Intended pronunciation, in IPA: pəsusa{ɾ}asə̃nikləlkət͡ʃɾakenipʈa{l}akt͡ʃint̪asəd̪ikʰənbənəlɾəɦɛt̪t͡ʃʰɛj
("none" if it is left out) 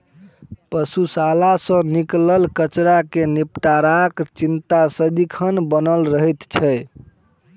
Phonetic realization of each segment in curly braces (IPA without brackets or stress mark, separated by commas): l, ɾ